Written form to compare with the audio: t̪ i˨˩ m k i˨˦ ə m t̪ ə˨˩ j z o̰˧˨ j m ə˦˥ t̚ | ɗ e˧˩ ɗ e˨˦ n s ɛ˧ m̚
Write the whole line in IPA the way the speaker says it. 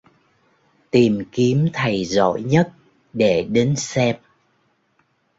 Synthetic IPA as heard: t̪ i˨˩ m k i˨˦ ə m t̪ʰ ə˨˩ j z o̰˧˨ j ɲ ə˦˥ t̚ | ɗ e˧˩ ɗ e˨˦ n s ɛ˧ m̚